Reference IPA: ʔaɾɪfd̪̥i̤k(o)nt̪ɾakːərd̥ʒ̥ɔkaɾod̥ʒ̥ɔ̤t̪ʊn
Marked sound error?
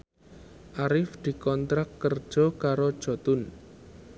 yes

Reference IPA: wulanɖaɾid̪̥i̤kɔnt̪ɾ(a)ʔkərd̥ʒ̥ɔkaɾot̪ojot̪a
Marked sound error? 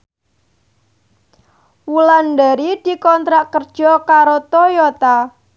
no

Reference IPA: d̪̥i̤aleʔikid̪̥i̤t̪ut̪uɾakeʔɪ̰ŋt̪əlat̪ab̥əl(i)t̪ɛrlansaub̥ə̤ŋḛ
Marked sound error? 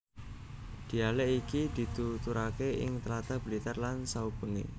no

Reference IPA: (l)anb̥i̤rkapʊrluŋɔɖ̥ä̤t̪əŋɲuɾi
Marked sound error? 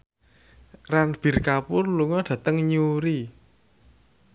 yes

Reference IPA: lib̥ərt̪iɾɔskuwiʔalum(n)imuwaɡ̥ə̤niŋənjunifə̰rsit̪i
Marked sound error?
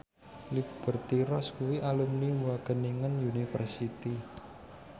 no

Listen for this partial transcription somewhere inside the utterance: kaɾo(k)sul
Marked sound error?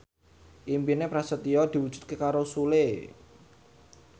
yes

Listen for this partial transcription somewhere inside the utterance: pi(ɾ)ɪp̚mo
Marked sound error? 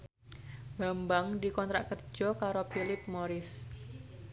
yes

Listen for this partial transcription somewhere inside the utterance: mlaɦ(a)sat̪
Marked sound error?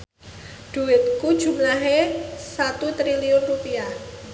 yes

